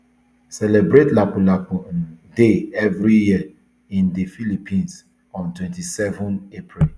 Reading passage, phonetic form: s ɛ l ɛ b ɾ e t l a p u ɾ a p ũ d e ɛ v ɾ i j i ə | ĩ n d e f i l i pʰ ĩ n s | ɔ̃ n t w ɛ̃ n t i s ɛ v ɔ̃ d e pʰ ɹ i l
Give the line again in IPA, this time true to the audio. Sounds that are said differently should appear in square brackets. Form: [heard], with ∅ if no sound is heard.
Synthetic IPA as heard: s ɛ l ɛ b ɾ e t l a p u [l] a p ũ d e ɛ v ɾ i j i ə | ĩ n d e f i l i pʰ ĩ n s | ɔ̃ n t w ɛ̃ n t i s ɛ v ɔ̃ [n] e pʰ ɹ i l